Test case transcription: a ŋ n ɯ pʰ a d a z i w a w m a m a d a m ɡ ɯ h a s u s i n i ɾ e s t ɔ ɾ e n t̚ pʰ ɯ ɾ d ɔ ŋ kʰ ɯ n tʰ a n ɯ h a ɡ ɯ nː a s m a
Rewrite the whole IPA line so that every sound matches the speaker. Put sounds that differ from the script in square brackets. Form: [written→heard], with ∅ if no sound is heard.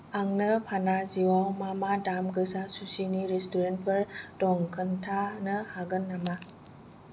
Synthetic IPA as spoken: a ŋ n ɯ pʰ a [d→n] a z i w a w m a m a d a m ɡ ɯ [h→s] a s u s i n i ɾ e s t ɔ ɾ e n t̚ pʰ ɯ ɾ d ɔ ŋ kʰ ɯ n tʰ a n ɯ h a ɡ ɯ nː a [s→∅] m a

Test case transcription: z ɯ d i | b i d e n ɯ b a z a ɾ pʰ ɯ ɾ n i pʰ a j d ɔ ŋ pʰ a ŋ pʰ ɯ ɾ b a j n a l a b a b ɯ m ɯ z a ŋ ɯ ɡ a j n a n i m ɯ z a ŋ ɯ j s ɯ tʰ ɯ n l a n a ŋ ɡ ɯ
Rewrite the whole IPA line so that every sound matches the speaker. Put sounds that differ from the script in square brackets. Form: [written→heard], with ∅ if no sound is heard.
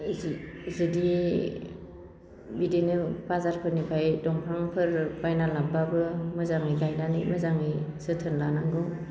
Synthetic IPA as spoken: z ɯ d i | b i d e n ɯ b a z a ɾ pʰ ɯ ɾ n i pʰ a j d ɔ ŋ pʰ a ŋ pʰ ɯ ɾ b a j n a l a b a b ɯ m ɯ z a ŋ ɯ ɡ a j n a n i m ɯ z a ŋ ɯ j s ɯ tʰ ɯ n l a n a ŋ ɡ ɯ

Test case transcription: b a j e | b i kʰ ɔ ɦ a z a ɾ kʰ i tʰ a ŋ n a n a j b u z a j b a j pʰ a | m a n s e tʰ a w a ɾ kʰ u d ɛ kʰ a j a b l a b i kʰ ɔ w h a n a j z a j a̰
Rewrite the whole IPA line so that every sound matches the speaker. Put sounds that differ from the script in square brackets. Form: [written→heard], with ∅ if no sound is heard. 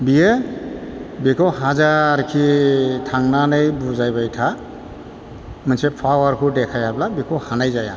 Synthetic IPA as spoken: b [a→i] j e | b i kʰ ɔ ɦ a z a ɾ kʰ i tʰ a ŋ n a n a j b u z a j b a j [pʰ→tʰ] a | m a n s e [tʰ→pʰ] a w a ɾ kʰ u d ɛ kʰ a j a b l a b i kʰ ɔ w h a n a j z a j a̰

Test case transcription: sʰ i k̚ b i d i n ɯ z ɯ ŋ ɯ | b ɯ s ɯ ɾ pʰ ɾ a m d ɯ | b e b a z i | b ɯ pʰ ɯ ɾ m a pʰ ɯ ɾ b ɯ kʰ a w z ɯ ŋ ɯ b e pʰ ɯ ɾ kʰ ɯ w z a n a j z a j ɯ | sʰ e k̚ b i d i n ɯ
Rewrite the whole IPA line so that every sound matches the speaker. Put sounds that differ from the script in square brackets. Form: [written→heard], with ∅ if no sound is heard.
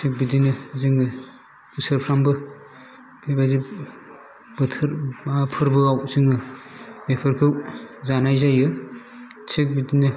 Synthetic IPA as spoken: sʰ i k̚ b i d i n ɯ z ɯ ŋ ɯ | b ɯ s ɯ ɾ pʰ ɾ a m [d→b] ɯ | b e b a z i | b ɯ [pʰ→tʰ] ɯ ɾ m a pʰ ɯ ɾ b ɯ [kʰ→∅] a w z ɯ ŋ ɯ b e pʰ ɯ ɾ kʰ ɯ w z a n a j z a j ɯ | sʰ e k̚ b i d i n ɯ

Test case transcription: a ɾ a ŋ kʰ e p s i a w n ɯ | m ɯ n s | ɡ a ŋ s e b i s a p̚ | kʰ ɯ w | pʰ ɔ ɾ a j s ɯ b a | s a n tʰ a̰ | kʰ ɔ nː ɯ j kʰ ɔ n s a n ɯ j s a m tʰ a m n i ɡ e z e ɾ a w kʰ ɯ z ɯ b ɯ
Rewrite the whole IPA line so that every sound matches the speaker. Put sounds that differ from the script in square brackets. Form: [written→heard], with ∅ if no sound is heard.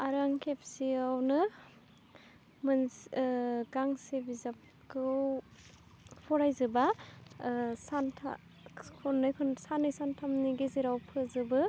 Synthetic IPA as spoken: a ɾ a ŋ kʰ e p s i a w n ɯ | m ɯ n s | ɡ a ŋ s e b i [s→z] a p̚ | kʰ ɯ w | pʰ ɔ ɾ a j [s→z] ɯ b a | s a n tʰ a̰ | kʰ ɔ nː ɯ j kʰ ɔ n s a n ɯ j s a [m→n] tʰ a m n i ɡ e z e ɾ a w [kʰ→pʰ] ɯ z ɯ b ɯ

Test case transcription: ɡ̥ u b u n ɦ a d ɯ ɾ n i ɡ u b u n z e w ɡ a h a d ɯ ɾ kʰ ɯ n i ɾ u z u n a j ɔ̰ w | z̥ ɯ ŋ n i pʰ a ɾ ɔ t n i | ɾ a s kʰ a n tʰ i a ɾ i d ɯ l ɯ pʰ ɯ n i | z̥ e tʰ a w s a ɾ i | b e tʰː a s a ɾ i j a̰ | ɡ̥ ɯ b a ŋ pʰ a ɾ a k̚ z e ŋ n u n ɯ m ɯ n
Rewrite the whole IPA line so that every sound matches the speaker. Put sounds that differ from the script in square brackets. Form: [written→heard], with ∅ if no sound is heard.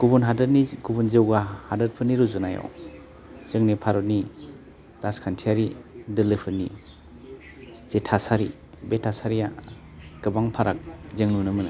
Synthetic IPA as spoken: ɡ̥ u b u n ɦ a d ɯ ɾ n i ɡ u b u n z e w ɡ a h a d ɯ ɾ [kʰ→pʰ] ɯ n i ɾ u z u n a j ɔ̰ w | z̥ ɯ ŋ n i pʰ a ɾ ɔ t n i | ɾ a s kʰ a n tʰ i a ɾ i d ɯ l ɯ pʰ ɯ n i | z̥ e tʰ a [w→∅] s a ɾ i | b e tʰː a s a ɾ i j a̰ | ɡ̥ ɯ b a ŋ pʰ a ɾ a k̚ z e ŋ n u n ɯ m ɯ n

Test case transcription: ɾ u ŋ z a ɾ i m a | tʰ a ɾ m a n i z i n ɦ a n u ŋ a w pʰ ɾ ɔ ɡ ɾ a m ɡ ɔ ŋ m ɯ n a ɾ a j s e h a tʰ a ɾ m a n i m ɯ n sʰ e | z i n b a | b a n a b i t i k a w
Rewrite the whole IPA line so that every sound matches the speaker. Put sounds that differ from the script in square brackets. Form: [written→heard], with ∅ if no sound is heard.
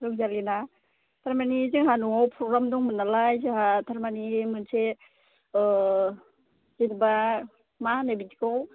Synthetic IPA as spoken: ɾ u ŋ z a [ɾ→l] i [m→n] a | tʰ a ɾ m a n i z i [n→ŋ] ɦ a n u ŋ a w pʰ ɾ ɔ ɡ ɾ a m [ɡ→d] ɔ ŋ m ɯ n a [ɾ→l] a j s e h a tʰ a ɾ m a n i m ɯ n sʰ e | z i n b a | [b→m] a n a b i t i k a w

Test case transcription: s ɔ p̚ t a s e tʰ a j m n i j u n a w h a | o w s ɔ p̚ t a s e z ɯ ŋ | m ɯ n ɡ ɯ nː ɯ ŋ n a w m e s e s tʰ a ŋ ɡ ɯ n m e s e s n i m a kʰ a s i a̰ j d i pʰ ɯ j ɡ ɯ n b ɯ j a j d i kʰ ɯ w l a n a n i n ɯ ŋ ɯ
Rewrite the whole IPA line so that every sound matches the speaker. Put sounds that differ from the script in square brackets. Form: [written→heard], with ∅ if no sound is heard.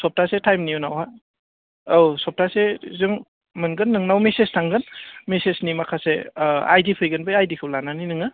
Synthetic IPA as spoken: s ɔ p̚ t a s e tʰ a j m n i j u n a w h a | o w s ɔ p̚ t a s e z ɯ ŋ | m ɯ n ɡ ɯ nː ɯ ŋ n a w m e s e s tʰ a ŋ ɡ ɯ n m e s e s n i m a kʰ a s [i→e] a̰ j d i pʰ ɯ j ɡ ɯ n b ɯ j a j d i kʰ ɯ w l a n a n i n ɯ ŋ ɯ

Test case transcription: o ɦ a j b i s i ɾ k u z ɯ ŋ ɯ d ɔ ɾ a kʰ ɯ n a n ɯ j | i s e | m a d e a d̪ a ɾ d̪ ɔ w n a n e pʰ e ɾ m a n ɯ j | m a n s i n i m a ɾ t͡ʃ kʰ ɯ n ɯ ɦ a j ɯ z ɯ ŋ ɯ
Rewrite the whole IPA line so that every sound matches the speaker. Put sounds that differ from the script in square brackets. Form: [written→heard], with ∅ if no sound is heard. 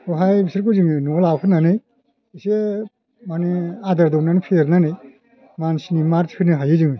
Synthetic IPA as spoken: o ɦ a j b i s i ɾ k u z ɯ ŋ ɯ [d→n] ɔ [ɾ→l] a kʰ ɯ n a n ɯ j | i s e | m a [d→n] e a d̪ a ɾ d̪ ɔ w n a n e pʰ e ɾ [m→n] a n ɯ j | m a n s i n i m a ɾ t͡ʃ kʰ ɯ n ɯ ɦ a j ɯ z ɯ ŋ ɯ

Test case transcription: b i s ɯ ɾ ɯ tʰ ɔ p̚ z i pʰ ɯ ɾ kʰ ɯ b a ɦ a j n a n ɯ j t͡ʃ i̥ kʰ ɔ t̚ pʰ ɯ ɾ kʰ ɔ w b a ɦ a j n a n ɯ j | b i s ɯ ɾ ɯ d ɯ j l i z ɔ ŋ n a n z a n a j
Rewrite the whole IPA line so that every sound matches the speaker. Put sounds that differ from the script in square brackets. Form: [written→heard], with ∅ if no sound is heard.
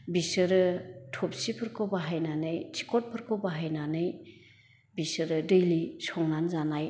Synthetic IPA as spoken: b i s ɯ ɾ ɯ tʰ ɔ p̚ [z→s] i pʰ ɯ ɾ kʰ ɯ b a ɦ a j n a n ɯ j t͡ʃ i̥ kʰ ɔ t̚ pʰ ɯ ɾ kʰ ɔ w b a ɦ a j n a n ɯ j | b i s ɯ ɾ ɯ d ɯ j l i [z→s] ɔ ŋ n a n z a n a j

